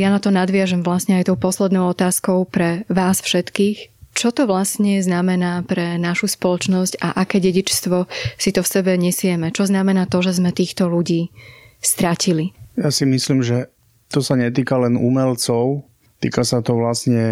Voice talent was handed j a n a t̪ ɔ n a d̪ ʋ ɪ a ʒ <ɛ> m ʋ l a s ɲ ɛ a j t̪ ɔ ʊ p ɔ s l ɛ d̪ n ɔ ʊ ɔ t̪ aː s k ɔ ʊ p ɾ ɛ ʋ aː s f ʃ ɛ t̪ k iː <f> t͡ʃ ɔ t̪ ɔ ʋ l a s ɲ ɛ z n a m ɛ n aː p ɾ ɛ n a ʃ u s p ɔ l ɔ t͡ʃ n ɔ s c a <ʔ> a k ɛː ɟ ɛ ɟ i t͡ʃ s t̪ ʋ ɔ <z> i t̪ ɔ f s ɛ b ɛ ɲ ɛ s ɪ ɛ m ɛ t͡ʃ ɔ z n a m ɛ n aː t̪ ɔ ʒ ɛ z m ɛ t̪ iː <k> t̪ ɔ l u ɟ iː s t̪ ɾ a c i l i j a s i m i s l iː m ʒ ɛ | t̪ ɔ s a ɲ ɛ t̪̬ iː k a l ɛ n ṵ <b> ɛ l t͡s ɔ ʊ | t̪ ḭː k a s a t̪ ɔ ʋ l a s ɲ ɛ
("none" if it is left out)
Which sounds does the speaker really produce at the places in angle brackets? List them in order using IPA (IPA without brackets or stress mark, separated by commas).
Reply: ɛ, x, ʔ, s, x, m